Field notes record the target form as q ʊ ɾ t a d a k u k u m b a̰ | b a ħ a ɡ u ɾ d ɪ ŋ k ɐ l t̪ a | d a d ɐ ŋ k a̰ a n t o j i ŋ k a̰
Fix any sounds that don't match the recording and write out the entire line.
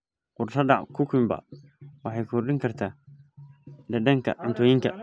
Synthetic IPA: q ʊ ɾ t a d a k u k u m b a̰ | w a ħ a k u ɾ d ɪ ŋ k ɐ ɾ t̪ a | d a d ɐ ŋ k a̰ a n t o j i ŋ k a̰